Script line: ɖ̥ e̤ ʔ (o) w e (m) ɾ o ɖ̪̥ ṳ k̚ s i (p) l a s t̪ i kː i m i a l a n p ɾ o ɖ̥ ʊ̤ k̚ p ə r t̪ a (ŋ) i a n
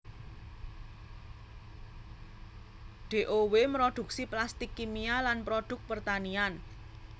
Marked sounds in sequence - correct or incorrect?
correct, correct, correct, incorrect: n

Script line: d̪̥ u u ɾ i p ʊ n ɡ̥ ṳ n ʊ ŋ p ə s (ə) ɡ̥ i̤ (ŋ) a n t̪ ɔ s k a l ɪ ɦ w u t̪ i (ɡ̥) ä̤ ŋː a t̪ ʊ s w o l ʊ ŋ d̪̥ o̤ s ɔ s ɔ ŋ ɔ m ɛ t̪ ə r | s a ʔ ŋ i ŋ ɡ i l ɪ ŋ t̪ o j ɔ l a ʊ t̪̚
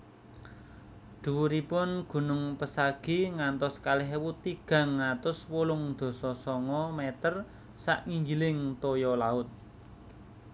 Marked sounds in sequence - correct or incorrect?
incorrect: a, correct, correct

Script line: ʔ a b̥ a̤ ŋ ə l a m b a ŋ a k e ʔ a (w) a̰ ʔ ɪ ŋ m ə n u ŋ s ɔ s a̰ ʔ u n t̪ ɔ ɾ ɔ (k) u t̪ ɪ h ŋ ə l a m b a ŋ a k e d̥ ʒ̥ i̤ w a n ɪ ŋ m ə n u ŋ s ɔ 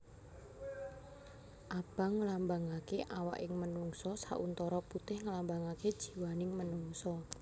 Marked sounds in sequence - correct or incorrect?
correct, incorrect: p

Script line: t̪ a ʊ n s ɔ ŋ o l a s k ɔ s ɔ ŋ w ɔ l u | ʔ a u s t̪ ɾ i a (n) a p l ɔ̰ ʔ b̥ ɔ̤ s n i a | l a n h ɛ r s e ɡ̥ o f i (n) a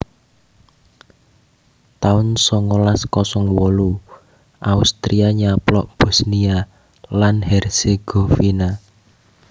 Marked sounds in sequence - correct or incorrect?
incorrect: ɲ, correct

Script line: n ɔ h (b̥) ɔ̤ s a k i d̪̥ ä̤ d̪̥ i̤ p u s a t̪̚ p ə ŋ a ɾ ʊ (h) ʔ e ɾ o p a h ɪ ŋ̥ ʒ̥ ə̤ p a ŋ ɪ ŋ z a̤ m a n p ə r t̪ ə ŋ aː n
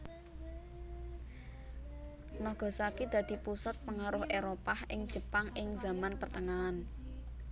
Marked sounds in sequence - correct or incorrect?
incorrect: ɡ̥, correct

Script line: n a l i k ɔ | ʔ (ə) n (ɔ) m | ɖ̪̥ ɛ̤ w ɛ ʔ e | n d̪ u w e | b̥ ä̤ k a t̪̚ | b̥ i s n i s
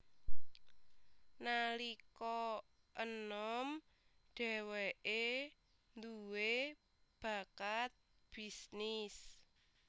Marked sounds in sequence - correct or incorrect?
correct, correct

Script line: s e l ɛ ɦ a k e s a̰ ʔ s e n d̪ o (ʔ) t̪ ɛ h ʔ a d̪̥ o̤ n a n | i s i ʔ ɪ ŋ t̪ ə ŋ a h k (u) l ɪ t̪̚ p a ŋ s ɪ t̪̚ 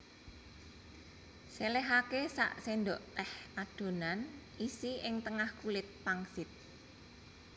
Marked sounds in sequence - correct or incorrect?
correct, correct

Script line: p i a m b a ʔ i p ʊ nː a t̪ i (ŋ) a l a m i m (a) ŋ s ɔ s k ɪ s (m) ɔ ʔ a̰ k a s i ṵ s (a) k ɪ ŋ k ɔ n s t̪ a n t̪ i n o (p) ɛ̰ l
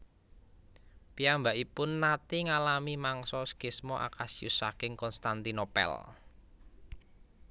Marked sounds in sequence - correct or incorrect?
correct, correct, correct, correct, correct

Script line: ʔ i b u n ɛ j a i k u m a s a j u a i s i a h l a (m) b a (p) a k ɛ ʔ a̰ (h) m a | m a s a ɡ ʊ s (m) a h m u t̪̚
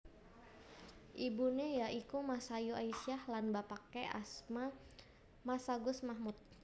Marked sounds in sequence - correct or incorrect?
incorrect: n, correct, incorrect: s, correct

